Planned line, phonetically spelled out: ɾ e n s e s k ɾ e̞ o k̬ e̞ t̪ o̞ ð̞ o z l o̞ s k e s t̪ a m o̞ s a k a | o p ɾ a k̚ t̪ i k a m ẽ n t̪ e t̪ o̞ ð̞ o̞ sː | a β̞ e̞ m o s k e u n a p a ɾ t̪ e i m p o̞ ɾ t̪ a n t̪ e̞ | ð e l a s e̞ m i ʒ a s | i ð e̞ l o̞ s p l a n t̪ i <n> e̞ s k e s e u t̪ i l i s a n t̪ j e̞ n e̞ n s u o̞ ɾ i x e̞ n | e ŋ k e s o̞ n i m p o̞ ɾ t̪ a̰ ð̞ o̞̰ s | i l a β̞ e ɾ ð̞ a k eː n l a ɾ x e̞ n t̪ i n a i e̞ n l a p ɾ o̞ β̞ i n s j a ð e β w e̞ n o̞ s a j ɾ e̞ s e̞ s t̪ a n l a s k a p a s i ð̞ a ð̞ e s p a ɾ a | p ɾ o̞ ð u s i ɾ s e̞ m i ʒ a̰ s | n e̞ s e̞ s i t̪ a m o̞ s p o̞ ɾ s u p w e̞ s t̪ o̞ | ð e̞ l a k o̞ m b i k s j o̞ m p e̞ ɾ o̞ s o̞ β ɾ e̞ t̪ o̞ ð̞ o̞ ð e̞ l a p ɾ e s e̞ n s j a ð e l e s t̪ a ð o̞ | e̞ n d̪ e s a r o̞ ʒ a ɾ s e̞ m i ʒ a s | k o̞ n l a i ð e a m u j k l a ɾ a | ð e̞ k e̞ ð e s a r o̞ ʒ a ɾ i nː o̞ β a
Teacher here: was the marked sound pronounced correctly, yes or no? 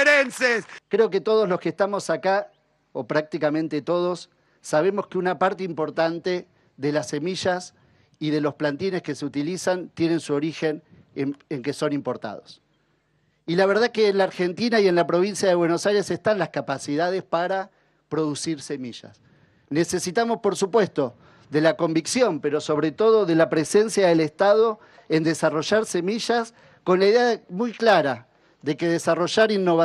yes